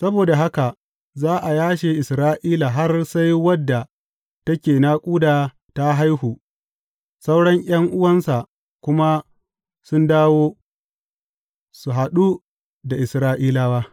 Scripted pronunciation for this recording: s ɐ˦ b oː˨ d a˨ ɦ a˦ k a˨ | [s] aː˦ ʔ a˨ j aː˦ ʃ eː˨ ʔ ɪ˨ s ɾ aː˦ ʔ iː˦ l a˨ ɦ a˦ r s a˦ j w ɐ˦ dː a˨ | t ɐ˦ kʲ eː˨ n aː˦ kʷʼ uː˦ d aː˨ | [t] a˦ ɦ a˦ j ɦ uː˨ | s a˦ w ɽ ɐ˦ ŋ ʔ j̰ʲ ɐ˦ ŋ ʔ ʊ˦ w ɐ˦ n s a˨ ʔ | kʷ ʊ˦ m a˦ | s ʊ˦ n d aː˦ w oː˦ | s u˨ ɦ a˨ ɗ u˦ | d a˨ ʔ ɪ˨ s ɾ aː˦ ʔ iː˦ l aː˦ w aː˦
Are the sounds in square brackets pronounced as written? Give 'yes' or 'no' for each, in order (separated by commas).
no, yes